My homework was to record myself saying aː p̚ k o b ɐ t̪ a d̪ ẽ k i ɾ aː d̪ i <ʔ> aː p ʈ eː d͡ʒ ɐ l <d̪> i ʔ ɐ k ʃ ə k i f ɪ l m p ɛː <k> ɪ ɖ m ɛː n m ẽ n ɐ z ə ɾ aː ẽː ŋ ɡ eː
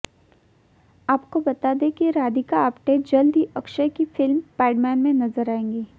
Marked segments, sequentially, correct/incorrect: incorrect, correct, incorrect

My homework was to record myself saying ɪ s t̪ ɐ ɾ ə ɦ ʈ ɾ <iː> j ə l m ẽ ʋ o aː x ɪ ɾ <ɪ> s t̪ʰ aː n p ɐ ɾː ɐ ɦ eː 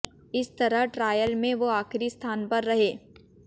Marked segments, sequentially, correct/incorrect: incorrect, incorrect

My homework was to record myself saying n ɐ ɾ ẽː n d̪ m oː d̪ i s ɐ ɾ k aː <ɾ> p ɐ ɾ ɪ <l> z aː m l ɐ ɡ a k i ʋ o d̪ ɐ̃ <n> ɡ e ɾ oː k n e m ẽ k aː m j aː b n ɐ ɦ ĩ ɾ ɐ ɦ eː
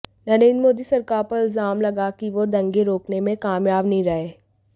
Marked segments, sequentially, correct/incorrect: correct, correct, incorrect

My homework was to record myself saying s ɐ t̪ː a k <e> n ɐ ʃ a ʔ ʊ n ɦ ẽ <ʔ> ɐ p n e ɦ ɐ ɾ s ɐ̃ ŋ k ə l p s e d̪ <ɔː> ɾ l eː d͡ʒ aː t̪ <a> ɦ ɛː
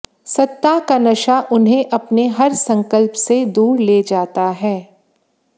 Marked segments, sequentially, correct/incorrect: incorrect, correct, incorrect, correct

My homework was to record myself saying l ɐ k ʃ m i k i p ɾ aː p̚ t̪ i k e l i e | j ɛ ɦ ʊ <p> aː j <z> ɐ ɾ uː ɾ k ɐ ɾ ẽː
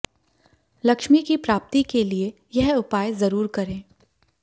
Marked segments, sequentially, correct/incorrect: correct, correct

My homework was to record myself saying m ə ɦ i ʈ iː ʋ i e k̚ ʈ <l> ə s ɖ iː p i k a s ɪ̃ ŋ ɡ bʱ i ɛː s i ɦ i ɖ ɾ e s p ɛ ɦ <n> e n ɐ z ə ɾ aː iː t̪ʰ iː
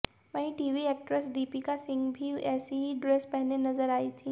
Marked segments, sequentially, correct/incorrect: incorrect, correct

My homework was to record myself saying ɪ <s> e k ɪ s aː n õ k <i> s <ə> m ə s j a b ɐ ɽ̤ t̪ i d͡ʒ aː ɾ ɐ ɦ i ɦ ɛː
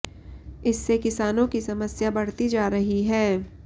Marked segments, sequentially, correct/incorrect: incorrect, correct, incorrect

